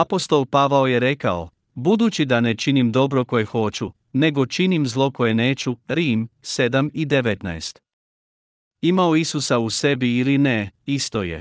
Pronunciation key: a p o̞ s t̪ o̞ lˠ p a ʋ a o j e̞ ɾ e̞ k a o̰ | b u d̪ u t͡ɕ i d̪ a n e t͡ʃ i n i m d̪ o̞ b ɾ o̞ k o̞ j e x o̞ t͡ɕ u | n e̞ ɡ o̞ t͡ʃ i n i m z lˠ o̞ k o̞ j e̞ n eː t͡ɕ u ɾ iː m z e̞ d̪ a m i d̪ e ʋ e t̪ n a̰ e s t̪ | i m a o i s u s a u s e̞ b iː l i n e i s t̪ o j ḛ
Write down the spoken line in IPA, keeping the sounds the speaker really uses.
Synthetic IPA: a p o̞ s t̪ o̞ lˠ p a ʋ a o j e̞ ɾ e̞ k a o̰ | b u d̪ u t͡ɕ i d̪ a n e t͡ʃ i n i m d̪ o̞ b ɾ o̞ k o̞ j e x o̞ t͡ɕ u | n e̞ ɡ o̞ t͡ʃ i n i m z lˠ o̞ k o̞ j e̞ n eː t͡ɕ u ɾ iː m s e̞ d̪ a m i d̪ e ʋ e t̪ n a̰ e s t̪ | i m a o i s u s a u s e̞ b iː l i n e i s t̪ o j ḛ